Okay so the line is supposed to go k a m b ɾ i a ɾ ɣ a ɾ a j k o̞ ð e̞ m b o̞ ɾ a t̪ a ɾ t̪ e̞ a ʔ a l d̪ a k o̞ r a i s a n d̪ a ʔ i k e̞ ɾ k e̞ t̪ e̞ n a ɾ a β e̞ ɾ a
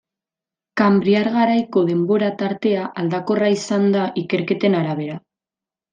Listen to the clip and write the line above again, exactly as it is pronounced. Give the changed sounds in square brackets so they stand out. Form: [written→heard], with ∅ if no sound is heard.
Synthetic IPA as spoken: k a m b ɾ i a ɾ ɣ a ɾ a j k o̞ ð e̞ m b o̞ ɾ a t̪ a ɾ t̪ e̞ a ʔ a l d̪ a k o̞ r a i s a n d̪ a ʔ i k e̞ ɾ k e̞ t̪ e̞ n a ɾ a β e̞ ɾ a